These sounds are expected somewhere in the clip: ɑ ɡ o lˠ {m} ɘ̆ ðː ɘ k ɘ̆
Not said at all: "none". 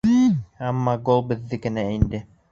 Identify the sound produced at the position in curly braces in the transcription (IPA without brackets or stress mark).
b